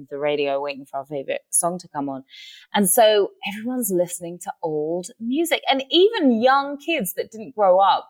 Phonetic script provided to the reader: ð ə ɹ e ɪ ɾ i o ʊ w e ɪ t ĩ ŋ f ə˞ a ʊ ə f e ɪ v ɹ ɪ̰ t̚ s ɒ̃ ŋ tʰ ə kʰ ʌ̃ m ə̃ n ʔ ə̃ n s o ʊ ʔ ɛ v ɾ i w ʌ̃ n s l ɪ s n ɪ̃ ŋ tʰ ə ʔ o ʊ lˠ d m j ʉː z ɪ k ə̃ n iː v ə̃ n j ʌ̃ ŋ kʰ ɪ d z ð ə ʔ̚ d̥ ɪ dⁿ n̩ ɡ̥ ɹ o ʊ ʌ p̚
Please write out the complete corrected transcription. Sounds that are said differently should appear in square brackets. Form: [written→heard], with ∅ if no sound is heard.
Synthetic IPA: ð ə ɹ e ɪ ɾ i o ʊ w e ɪ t [ĩ→ɪ̃] ŋ f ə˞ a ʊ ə f e ɪ v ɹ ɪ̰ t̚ s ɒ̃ ŋ tʰ ə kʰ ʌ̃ m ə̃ n ʔ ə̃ n s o ʊ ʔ ɛ v [ɾ→ɹ] i w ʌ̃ n [s→z] l ɪ s n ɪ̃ ŋ tʰ ə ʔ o ʊ lˠ d m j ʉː z ɪ k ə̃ n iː v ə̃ n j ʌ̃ ŋ kʰ ɪ d z ð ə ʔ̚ d̥ ɪ dⁿ n̩ ɡ̥ ɹ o ʊ ʌ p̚